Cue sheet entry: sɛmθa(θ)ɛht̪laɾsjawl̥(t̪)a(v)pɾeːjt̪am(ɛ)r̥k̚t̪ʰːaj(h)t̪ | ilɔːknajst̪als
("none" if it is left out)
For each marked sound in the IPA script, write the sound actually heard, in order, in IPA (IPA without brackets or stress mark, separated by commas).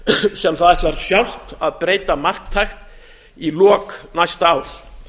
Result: ð, t̪, ð, a, x